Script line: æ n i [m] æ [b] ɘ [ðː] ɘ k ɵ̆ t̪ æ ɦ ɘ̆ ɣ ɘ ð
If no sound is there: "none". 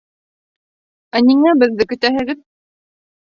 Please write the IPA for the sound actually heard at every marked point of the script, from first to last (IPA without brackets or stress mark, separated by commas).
ŋ, b, ðː